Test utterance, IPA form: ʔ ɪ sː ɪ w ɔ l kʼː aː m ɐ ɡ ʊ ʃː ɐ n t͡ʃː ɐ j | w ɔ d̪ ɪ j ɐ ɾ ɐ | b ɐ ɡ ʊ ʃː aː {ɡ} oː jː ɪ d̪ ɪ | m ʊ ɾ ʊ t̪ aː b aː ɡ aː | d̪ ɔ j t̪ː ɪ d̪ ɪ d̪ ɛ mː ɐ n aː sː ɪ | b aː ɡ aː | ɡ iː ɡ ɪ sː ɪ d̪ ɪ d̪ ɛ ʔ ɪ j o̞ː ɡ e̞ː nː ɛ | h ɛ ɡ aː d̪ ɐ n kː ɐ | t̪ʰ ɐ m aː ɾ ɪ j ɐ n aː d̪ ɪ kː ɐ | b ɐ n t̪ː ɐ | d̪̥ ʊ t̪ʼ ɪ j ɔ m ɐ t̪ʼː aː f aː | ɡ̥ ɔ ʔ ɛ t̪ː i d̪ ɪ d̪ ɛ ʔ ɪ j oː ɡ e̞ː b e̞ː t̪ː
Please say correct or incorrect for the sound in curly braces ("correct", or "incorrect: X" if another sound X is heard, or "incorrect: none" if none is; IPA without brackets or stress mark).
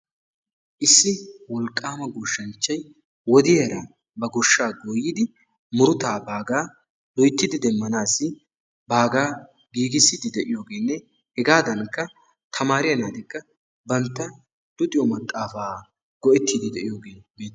correct